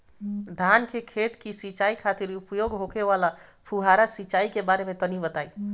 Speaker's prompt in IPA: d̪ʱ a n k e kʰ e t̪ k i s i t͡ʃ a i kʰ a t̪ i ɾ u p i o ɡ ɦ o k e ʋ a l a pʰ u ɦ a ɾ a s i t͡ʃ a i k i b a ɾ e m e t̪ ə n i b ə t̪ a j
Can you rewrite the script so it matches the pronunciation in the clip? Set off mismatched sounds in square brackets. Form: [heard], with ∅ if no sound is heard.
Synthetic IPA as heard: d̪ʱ a n k e kʰ e t̪ k i s i t͡ʃ a i kʰ a t̪ i ɾ u p [j] o ɡ ɦ o k e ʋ a l a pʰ u ɦ a ɾ a s i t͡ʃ a i k [e] b a ɾ e m e t̪ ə n i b ə t̪ a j